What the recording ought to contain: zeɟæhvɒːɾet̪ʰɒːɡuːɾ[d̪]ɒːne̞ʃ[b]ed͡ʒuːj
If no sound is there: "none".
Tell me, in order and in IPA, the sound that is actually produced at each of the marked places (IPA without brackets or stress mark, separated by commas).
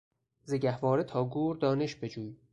d̪, b